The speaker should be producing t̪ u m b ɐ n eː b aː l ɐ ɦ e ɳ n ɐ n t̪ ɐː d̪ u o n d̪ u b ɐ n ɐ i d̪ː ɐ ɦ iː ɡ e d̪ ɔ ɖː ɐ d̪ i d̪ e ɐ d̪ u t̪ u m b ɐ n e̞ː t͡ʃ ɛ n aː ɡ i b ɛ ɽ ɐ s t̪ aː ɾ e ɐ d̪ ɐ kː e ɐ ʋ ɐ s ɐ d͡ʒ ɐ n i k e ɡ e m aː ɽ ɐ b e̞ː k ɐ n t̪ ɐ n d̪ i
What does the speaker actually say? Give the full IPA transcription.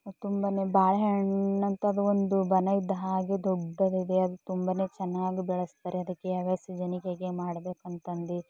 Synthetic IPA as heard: t̪ u m b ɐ n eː b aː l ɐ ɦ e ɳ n ɐ n t̪ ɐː d̪ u o n d̪ u b ɐ n ɐ i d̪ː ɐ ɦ aː ɡ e d̪ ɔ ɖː ɐ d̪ i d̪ e ɐ d̪ u t̪ u m b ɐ n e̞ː t͡ʃ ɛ nː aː ɡ i b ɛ ɭ ɐ s t̪ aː ɾ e ɐ d̪ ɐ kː e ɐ ʋ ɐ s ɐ d͡ʒ ɐ n i k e ɡ e m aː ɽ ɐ b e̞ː k ɐ n t̪ ɐ n d̪ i